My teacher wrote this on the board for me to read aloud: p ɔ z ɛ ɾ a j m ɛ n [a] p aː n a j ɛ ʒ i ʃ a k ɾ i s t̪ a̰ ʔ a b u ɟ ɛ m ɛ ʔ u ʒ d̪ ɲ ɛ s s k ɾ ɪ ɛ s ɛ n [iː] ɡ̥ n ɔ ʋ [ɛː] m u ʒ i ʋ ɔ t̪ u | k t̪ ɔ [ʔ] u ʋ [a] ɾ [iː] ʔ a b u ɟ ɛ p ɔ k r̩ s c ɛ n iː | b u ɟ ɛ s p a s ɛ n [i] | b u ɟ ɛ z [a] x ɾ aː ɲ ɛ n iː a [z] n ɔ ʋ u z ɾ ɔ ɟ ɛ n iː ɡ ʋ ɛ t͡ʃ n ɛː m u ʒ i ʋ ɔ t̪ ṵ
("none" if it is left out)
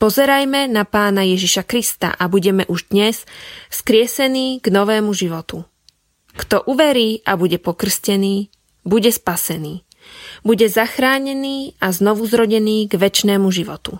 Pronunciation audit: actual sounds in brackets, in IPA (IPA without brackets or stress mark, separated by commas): a, iː, ɛː, ʔ, ɛ, iː, iː, a, z